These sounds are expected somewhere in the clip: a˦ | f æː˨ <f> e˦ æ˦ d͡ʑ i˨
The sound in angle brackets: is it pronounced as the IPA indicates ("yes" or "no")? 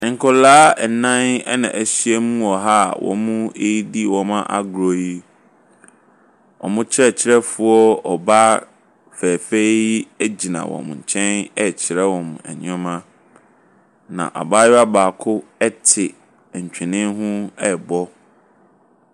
yes